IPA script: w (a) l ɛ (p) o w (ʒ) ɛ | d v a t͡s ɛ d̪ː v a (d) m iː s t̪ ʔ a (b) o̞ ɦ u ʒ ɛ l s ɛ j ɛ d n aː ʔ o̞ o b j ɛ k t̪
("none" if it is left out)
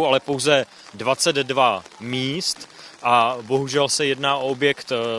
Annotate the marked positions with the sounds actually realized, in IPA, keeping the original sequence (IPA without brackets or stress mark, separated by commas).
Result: a, p, z, none, b